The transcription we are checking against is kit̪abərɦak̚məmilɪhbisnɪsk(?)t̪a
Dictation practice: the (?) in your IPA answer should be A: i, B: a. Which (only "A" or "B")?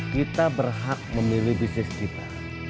A